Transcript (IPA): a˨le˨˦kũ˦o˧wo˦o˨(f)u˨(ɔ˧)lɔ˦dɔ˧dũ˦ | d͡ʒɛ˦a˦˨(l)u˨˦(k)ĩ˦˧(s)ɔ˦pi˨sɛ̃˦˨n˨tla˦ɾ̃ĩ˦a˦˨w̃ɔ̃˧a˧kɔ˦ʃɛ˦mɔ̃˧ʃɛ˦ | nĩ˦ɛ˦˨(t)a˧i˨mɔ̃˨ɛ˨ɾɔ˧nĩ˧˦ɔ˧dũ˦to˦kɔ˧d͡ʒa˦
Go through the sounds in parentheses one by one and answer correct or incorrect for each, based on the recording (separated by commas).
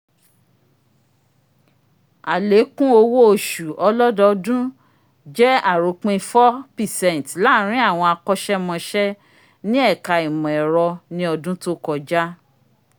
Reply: incorrect, correct, incorrect, incorrect, incorrect, incorrect